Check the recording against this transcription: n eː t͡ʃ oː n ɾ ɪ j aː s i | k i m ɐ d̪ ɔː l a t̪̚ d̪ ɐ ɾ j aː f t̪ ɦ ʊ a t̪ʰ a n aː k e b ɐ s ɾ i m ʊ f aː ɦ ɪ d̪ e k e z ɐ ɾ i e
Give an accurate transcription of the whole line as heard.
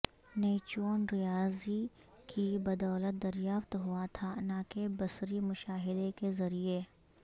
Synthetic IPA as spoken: n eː t͡ʃ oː n ɾ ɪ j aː z i | k i b ɐ d̪ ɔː l ə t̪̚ d̪ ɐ ɾ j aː f t̪ ɦ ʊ a t̪ʰ a n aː k e b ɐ s ɾ i m ʊ ʃ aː ɦ ɪ d̪ e k e z ɐ ɾ i e